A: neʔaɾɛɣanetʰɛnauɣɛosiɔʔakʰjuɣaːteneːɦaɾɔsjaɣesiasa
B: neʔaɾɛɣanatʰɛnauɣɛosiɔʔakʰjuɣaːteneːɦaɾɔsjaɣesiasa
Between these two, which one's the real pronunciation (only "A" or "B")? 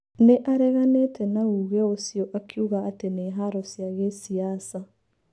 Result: A